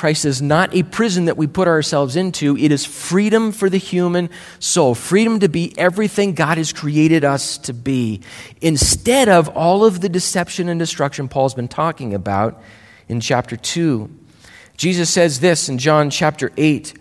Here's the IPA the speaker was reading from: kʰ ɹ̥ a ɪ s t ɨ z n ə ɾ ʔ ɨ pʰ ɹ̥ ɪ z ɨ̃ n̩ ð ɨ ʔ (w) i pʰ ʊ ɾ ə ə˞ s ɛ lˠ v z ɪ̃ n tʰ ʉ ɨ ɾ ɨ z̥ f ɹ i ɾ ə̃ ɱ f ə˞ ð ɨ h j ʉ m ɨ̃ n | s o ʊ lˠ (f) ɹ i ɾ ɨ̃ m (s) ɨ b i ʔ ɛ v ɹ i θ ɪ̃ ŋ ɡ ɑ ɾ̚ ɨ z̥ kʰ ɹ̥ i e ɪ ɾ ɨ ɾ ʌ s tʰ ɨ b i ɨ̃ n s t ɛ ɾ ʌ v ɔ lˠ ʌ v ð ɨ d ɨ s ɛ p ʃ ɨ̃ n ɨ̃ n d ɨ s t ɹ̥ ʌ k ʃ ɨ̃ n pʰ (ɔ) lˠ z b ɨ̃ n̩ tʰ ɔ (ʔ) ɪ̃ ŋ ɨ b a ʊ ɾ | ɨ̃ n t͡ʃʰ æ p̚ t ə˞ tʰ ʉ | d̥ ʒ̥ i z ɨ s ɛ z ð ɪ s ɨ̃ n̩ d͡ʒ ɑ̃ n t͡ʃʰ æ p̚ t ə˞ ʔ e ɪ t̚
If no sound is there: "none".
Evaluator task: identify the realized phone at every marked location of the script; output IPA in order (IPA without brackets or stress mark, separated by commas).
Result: w, f, t, ɔ, k